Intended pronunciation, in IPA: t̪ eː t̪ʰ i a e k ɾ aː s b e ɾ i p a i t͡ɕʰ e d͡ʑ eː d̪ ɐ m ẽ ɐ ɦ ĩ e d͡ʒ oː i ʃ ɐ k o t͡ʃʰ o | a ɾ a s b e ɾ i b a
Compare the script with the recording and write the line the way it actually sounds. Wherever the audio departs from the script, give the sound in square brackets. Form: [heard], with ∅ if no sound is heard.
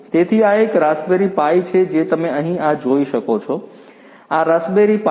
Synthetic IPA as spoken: t̪ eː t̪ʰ i a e k ɾ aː s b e ɾ i p a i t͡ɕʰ e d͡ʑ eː [t̪] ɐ m ẽ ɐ ɦ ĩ [a] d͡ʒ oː i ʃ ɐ k o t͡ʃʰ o | a ɾ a s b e ɾ i [p] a